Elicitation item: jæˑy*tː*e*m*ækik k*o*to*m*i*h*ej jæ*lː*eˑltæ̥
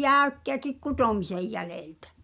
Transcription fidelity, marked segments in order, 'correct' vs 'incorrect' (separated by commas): incorrect, incorrect, incorrect, correct, incorrect, incorrect